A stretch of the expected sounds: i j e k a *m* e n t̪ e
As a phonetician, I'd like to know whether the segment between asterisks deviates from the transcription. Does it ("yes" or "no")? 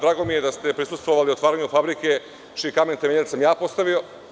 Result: no